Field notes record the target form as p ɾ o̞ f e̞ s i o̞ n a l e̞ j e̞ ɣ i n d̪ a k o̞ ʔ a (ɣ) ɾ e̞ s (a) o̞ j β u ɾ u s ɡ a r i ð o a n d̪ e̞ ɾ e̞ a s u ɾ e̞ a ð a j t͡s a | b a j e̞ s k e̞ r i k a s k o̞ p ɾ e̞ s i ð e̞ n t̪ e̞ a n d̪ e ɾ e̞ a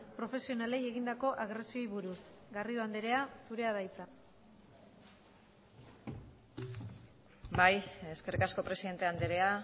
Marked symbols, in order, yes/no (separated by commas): yes, no